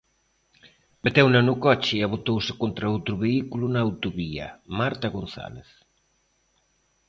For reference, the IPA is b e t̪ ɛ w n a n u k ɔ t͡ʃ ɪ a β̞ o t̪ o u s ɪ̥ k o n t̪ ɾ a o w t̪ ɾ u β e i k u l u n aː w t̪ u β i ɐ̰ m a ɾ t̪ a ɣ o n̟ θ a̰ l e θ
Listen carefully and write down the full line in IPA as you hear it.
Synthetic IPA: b e t̪ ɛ w n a n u k ɔ t͡ʃ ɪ a β̞ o t̪ o w s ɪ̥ k o n t̪ ɾ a o w t̪ ɾ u β e i k u l u n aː w t̪ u β i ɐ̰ m a ɾ t̪ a ɣ o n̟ θ a̰ l e θ

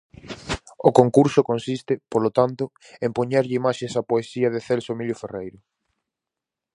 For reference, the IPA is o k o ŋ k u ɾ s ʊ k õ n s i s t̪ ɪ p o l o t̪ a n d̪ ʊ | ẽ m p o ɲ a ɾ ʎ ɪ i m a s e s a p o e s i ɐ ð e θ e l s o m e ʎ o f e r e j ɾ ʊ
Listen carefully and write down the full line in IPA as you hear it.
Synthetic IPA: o k o ŋ k u ɾ s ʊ k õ n s i s t̪ ɪ p o l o t̪ a n t̪ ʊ | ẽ m p o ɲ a ɾ ʎ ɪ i m a ʃ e s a p o e s i ɐ ð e θ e l s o m i ʎ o f e r e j ɾ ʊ

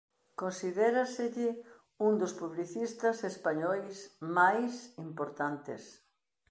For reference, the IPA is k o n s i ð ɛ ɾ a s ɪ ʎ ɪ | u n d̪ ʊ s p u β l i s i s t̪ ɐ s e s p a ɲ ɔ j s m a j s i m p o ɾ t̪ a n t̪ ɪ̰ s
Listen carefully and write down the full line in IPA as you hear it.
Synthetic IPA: k o n s i ð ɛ ɾ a s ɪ ʎ ɪ | u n d̪ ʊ s p u β l i θ i s t̪ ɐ s e s p a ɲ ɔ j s m a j s i m p o ɾ t̪ a n t̪ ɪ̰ s

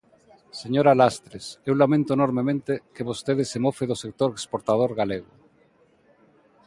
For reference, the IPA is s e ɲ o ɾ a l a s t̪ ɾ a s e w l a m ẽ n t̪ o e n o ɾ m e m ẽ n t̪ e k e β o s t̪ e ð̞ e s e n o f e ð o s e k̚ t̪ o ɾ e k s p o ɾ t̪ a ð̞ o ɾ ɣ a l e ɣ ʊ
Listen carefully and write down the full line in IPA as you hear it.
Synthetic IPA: s e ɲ o ɾ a l a s t̪ ɾ e s e w l a m ẽ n t̪ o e n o ɾ m e m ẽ n t̪ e k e β o s t̪ e ð̞ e s e m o f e ð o s e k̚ t̪ o ɾ e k s p o ɾ t̪ a ð̞ o ɾ ɣ a l e ɣ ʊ

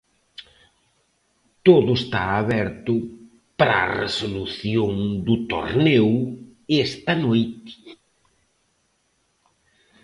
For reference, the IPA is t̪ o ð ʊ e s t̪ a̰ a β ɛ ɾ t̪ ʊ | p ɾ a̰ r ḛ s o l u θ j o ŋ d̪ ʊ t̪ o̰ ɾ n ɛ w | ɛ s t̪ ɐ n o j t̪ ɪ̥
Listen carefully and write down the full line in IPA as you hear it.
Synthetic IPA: t̪ o ð ʊ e s t̪ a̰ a β ɛ ɾ t̪ ʊ | p ɾ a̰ r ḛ s o l u θ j o ŋ d̪ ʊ t̪ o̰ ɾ n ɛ w | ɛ s t̪ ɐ n o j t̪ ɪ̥

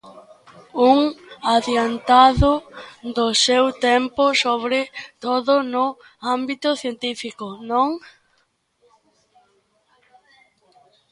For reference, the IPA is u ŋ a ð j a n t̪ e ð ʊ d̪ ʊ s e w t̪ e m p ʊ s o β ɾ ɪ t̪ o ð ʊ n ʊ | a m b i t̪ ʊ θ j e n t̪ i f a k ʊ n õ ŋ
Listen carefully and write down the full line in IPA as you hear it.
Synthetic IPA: u ŋ a ð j a n t̪ a ð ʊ d̪ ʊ s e w t̪ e m p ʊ s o β ɾ ɪ t̪ o ð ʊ n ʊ | a m b i t̪ ʊ θ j e n t̪ i f i k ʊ n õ ŋ

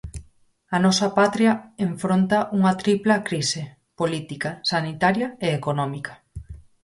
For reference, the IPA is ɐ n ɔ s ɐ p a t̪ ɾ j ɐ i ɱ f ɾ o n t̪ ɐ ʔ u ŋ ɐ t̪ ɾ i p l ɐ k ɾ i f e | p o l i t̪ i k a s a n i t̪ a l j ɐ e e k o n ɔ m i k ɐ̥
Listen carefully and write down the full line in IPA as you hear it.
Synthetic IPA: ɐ n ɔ s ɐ p a t̪ ɾ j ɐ e ɱ f ɾ o n t̪ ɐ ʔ u ŋ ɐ t̪ ɾ i p l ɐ k ɾ i s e | p o l i t̪ i k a s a n i t̪ a ɾ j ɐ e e k o n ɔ m i k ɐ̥

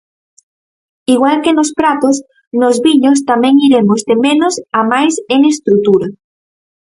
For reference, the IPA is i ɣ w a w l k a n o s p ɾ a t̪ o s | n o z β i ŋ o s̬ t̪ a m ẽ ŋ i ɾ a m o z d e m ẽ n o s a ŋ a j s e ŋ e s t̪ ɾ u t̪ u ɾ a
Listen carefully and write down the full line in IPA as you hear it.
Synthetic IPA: i ɣ w a l k e n o s p ɾ a t̪ o s | n o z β i ɲ o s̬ t̪ a m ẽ ŋ i ɾ e m o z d e m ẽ n o s a m a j s e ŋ e s t̪ ɾ u t̪ u ɾ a

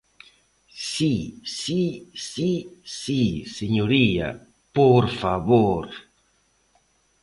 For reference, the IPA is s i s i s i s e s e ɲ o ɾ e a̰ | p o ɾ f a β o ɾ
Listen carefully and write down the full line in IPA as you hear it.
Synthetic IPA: s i s i s i s i s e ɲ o ɾ i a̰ | p o ɾ f a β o ɾ

